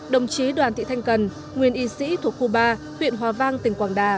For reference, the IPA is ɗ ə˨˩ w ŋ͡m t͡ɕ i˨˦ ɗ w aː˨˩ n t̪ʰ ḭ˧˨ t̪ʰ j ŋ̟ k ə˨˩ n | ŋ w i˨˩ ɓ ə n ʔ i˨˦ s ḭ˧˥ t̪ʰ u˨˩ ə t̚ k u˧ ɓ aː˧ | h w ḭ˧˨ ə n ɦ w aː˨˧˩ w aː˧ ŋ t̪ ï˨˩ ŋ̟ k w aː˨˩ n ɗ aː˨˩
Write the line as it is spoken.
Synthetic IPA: ɗ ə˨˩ w ŋ͡m t͡ɕ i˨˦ ɗ w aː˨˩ n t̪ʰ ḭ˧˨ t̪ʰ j ŋ̟ k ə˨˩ n | ŋ w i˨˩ ə n ʔ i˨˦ s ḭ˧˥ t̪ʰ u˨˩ ə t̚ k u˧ ɓ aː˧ | h w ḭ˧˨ ə n ɦ w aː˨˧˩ v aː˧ ŋ t̪ ï˨˩ ŋ̟ k w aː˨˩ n ɗ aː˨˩